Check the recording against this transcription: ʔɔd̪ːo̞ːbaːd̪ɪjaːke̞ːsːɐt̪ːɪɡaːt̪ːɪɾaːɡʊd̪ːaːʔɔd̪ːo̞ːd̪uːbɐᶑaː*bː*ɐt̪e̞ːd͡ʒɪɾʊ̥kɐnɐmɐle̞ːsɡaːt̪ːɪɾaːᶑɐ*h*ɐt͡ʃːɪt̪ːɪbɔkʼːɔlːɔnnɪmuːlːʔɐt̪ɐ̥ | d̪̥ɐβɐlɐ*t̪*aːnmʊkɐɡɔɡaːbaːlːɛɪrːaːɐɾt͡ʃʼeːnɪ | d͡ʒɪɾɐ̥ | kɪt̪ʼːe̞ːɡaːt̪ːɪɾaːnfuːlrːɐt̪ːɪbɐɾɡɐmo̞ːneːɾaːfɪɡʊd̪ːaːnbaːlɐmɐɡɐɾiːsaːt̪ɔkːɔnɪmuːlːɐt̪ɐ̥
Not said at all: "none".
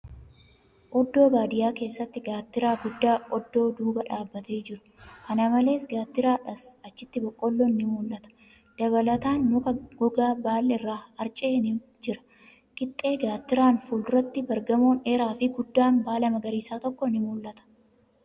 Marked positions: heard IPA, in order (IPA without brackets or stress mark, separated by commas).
bː, s, t̪